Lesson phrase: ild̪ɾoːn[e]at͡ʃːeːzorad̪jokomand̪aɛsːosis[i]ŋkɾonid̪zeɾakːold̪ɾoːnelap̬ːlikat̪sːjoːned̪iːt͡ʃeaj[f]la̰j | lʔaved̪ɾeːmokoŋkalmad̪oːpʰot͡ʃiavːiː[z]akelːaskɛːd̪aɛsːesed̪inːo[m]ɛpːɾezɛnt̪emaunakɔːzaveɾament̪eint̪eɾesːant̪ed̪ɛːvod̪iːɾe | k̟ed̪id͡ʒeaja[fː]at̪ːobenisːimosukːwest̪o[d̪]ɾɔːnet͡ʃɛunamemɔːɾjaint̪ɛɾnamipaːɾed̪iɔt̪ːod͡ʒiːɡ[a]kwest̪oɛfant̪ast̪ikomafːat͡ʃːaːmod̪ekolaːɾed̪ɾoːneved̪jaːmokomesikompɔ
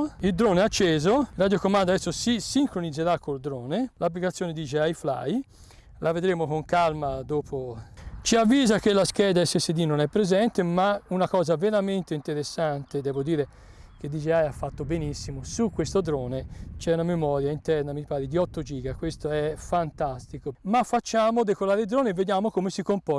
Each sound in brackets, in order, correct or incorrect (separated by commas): correct, correct, correct, correct, incorrect, correct, correct, correct